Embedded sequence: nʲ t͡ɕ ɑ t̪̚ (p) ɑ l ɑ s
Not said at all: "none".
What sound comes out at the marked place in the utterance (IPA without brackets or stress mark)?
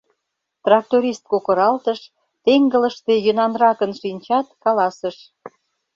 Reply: k